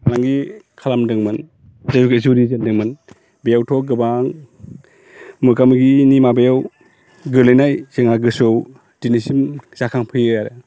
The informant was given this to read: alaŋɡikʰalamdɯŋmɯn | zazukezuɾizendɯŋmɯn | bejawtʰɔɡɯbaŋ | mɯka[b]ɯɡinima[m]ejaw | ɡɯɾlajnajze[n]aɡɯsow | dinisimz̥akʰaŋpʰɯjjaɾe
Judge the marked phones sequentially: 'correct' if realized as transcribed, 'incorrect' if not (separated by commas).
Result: incorrect, incorrect, incorrect